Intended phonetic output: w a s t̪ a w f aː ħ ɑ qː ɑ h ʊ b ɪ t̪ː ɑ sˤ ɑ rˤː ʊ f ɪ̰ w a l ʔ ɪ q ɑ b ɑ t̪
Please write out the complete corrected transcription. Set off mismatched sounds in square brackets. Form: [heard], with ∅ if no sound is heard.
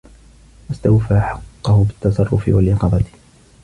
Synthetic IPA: w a s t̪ a w f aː ħ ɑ qː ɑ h ʊ b ɪ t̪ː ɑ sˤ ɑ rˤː ʊ f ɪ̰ w a l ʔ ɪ q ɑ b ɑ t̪